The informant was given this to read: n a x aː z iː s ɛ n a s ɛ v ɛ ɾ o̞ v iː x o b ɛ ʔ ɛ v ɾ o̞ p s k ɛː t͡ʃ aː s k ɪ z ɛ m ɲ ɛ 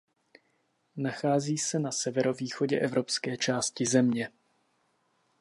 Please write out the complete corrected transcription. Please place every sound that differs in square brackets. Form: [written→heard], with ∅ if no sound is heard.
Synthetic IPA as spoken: n a x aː z iː s ɛ n a s ɛ v ɛ ɾ o̞ v iː x o [b→ɟ] ɛ ʔ ɛ v ɾ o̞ p s k ɛː t͡ʃ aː s [k→c] ɪ z ɛ m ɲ ɛ